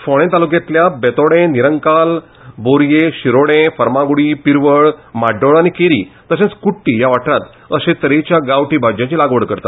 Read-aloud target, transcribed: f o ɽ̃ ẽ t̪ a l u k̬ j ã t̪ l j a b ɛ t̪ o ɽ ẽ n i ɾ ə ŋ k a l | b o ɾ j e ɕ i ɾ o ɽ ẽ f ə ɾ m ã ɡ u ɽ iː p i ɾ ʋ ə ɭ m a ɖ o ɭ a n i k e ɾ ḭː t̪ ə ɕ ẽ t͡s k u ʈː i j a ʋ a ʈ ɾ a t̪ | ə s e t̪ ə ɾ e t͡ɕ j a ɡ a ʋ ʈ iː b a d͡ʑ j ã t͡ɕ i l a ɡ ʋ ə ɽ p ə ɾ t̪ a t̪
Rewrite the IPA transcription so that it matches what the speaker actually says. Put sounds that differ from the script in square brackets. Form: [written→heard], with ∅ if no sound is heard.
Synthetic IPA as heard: f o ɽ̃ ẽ t̪ a l u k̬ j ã t̪ l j a b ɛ t̪ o ɽ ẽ n i ɾ ə ŋ k a l | b o ɾ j e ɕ i ɾ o ɽ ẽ f ə ɾ m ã ɡ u ɽ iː p i ɾ ʋ ə ɭ m a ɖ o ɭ a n i k e ɾ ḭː t̪ ə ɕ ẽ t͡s k u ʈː i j a ʋ a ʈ ɾ a t̪ | ə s e t̪ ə ɾ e t͡ɕ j a ɡ a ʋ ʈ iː b a d͡ʑ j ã t͡ɕ i l a ɡ ʋ ə ɽ [p→k] ə ɾ t̪ a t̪